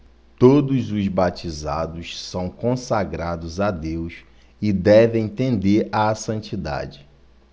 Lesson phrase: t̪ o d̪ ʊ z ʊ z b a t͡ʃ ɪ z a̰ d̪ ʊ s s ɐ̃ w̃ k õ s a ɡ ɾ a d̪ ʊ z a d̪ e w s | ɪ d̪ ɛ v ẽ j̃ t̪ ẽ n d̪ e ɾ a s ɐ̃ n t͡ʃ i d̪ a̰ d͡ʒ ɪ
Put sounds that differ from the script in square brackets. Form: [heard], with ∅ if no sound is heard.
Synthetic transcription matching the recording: t̪ o d̪ ʊ z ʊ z b a t͡ʃ [i] z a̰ d̪ ʊ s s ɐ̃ w̃ k õ s a ɡ ɾ a d̪ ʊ z a d̪ e w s | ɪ d̪ ɛ v ẽ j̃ t̪ ẽ n d̪ e ɾ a s ɐ̃ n t͡ʃ i d̪ a̰ d͡ʒ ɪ